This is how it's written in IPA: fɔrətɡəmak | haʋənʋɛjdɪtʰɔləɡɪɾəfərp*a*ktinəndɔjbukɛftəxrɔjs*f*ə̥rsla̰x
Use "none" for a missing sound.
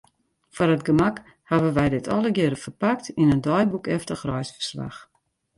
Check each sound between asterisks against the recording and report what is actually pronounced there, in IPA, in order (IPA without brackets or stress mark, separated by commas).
a, f